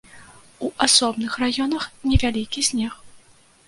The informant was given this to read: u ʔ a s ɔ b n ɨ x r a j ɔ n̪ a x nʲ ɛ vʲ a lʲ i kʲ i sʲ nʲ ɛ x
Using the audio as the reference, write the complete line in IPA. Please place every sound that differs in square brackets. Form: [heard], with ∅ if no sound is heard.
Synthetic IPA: u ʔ a s ɔ b n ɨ x r a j ɔ n̪ [ɐ] x nʲ ɛ vʲ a lʲ i kʲ i sʲ nʲ ɛ x